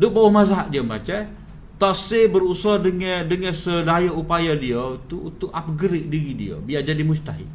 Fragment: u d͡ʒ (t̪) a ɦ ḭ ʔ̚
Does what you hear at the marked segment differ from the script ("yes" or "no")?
no